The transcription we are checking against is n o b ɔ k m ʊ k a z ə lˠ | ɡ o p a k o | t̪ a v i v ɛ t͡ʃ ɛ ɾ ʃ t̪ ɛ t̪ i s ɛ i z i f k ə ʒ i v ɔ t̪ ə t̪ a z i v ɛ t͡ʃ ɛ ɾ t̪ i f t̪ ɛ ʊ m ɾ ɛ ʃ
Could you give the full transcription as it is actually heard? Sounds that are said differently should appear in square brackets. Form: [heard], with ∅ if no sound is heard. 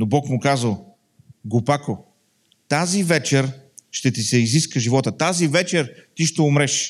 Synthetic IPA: n o b ɔ k m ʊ k a z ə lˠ | ɡ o p a k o | t̪ a [z] i v ɛ t͡ʃ ɛ ɾ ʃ t̪ ɛ t̪ i s ɛ i z i [s] k ə ʒ i v ɔ t̪ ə t̪ a z i v ɛ t͡ʃ ɛ ɾ t̪ i [ʃ] t̪ ɛ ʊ m ɾ ɛ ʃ